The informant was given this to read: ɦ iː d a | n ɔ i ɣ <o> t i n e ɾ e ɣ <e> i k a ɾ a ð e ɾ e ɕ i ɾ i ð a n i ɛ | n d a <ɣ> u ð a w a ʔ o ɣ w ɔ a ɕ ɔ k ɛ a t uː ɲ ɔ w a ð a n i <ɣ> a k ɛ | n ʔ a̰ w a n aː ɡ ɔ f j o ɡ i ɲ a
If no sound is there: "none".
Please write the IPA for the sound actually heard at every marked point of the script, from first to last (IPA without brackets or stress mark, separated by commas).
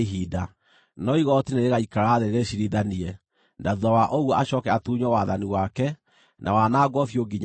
ɔ, a, ð, w